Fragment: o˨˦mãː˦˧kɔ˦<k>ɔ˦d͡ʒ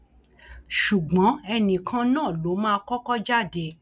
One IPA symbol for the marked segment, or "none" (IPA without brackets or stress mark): k